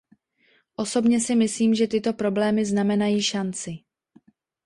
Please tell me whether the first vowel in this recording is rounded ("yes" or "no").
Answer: yes